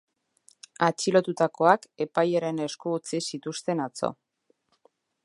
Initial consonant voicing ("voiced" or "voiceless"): voiceless